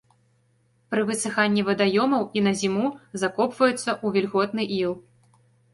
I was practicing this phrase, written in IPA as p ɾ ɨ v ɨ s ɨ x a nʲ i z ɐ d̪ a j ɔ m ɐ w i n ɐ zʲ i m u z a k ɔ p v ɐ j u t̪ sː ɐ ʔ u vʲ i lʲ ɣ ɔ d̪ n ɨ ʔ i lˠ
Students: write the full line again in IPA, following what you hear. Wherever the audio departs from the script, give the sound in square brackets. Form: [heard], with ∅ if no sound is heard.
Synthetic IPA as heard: p ɾ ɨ v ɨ s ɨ x a [nʲː] i [v] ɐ d̪ a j ɔ m ɐ w i n ɐ zʲ i m u z a k ɔ p v ɐ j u t̪ sː ɐ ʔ u vʲ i lʲ ɣ ɔ [t̪] n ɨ ʔ i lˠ